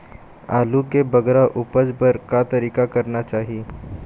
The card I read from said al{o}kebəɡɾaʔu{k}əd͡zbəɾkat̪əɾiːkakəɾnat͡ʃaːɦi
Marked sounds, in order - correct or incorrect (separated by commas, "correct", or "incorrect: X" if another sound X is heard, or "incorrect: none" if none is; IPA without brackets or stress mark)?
incorrect: u, incorrect: p